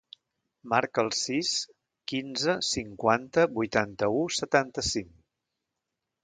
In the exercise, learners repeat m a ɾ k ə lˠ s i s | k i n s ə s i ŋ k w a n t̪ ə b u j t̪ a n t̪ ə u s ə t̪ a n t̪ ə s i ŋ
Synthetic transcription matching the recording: m a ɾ k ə lˠ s i s | k i n z ə s i ŋ k w a n t̪ ə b u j t̪ a n t̪ ə u s ə t̪ a n t̪ ə s i ŋ

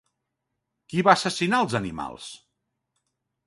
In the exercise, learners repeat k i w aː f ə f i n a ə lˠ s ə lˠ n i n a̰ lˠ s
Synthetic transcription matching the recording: k i β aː s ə s i n a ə lˠ z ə n i m a̰ lˠ s

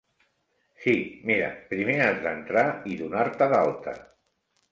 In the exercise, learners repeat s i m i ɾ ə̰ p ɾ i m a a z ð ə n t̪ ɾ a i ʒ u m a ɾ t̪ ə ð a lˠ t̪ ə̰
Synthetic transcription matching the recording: s i m i ɾ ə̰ p ɾ i m e a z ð ə n t̪ ɾ a i ð u n a ɾ t̪ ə ð a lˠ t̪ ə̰

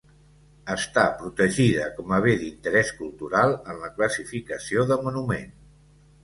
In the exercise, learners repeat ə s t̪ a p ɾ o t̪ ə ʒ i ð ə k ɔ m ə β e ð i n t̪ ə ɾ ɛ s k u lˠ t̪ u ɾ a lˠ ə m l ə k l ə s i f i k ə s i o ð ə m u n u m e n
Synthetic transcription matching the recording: ə s t̪ a p ɾ u t̪ ə ʒ i ð ə k ɔ m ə β e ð i n t̪ ə ɾ ɛ s k u lˠ t̪ u ɾ a lˠ ə n l ə k l ə s i f i k ə s i o ð ə m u n u m e n

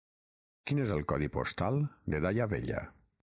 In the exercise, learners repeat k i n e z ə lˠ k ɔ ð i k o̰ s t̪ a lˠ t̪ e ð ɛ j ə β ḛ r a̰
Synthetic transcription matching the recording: k i n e z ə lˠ k ɔ ð i p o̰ s t̪ a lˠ d̪ e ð a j a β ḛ ʎ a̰

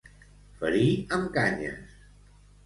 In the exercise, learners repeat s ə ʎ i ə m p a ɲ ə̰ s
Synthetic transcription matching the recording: f ə ɾ i ə m k a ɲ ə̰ s

